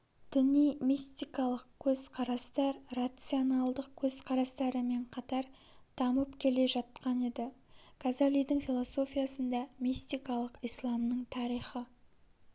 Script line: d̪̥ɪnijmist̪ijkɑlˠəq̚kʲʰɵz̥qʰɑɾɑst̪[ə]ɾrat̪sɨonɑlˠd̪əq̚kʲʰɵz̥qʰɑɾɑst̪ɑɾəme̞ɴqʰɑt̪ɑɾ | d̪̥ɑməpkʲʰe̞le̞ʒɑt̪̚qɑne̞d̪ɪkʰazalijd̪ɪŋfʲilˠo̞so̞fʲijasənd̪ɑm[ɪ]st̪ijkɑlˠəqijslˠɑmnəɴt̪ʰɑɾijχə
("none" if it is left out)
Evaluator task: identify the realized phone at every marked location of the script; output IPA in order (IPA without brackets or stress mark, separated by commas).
ɑ, i